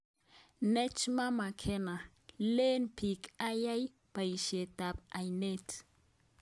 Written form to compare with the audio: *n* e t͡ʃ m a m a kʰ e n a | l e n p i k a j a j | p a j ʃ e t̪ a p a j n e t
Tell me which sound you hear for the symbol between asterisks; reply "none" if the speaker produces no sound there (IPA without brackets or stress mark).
n